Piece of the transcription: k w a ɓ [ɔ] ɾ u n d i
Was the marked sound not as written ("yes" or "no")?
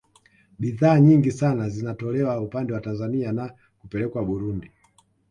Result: yes